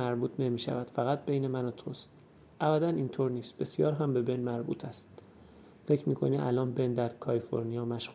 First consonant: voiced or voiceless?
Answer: voiced